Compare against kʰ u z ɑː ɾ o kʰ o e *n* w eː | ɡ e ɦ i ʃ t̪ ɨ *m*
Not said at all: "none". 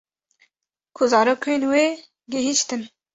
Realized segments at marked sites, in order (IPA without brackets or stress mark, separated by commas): n, n